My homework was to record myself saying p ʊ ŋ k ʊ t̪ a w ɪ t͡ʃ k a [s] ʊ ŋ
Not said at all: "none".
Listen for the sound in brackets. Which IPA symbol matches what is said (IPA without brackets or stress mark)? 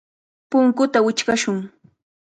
ʃ